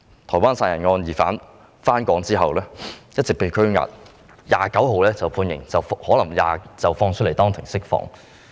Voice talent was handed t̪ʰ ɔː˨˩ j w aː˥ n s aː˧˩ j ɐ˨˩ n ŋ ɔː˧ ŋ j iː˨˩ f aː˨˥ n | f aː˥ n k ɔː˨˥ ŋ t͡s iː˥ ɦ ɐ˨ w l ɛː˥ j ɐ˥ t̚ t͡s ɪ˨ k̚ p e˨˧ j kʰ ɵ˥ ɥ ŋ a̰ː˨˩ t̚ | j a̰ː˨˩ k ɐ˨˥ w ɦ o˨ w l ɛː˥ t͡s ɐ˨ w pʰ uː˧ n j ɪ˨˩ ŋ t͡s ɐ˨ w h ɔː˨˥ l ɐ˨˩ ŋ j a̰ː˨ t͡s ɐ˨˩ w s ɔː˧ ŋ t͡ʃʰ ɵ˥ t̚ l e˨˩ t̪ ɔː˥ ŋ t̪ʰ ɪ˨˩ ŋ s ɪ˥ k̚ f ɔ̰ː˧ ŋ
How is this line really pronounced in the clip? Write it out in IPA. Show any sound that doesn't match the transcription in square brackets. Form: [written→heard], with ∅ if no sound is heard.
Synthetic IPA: t̪ʰ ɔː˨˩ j w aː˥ n s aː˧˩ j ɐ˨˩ n ŋ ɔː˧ [ŋ→n] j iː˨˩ f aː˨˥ n | f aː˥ n k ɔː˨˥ ŋ t͡s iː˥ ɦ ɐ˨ w l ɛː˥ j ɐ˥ t̚ t͡s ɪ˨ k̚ p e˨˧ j kʰ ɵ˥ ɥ ŋ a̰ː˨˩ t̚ | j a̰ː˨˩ k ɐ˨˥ w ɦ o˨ w l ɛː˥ t͡s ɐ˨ w pʰ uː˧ n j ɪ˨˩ ŋ t͡s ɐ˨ w h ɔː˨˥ l ɐ˨˩ ŋ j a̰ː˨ t͡s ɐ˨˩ w [s→f] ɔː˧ ŋ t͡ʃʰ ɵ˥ t̚ l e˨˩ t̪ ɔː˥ ŋ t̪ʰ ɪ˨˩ ŋ s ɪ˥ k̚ f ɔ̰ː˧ ŋ